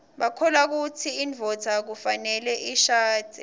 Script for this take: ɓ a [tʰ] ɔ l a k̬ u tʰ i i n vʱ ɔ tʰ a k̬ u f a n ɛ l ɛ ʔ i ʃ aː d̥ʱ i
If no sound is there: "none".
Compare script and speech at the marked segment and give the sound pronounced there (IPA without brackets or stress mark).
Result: kʰ